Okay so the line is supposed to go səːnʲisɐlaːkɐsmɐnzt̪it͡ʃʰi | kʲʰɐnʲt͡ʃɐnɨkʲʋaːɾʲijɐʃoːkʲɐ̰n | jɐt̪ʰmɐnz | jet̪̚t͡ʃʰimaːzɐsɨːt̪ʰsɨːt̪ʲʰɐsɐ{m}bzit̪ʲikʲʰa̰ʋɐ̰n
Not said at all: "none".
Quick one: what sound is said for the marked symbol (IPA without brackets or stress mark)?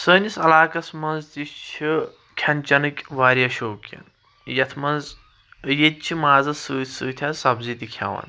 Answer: none